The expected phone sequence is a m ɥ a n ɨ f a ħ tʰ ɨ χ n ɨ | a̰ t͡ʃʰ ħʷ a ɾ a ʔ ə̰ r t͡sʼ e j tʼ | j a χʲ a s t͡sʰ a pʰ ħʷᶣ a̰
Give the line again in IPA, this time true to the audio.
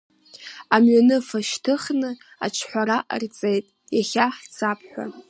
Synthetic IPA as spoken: a m ɥ a n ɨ f a ʃ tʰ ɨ χ n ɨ | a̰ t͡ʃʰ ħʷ a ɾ a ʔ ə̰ r t͡sʼ e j tʼ | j a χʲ a ħ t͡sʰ a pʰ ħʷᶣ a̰